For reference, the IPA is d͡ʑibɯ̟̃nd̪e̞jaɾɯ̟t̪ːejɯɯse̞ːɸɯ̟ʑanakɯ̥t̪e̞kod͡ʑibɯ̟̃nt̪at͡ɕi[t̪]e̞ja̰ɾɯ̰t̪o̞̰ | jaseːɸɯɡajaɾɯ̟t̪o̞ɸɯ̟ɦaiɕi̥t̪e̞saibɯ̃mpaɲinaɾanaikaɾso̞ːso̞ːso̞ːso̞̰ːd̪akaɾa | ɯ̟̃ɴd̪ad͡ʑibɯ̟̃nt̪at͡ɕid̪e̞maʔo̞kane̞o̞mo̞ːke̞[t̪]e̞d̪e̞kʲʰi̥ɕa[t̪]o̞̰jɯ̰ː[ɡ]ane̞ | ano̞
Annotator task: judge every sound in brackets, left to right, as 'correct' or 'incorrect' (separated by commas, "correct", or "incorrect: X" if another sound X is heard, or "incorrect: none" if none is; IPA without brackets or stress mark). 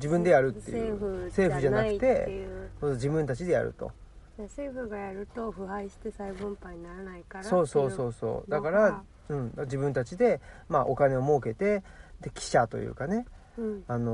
incorrect: d̪, correct, correct, incorrect: k